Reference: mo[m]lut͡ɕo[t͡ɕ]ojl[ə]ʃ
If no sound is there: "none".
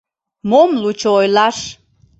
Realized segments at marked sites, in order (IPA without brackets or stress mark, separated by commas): m, none, ɑ